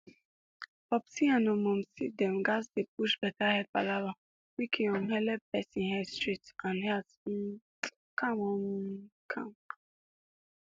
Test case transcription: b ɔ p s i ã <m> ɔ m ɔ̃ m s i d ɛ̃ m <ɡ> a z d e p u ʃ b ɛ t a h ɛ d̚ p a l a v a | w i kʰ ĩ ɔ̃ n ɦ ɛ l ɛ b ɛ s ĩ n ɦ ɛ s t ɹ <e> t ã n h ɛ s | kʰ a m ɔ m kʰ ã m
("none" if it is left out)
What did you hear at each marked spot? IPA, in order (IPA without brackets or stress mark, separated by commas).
n, ɡ, i